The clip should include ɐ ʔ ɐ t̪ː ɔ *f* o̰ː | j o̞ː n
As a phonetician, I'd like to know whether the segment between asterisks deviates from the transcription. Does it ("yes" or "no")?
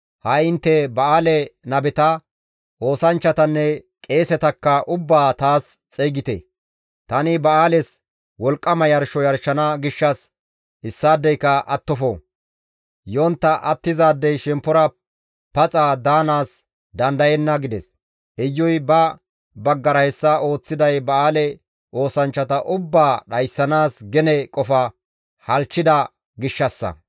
no